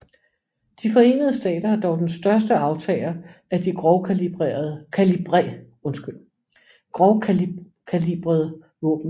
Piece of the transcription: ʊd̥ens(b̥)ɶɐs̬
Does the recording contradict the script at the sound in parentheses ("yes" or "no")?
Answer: yes